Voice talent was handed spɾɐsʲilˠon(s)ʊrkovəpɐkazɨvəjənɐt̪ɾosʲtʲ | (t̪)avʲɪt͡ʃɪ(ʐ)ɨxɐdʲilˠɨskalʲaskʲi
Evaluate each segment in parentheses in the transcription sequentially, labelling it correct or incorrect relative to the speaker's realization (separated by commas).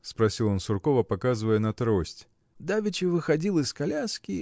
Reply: correct, incorrect, incorrect